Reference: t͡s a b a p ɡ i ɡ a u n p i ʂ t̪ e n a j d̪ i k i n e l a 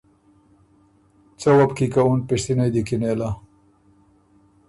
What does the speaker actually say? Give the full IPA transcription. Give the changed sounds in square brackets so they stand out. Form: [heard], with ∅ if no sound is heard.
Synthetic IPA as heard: t͡s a [w] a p [k] i [k] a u n p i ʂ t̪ [i] n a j d̪ i k i n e l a